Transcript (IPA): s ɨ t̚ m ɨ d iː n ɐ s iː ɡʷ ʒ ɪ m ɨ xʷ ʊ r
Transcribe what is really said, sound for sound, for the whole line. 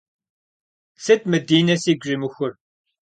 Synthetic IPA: s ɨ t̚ m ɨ d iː n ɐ s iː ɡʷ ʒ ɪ m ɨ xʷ ʊ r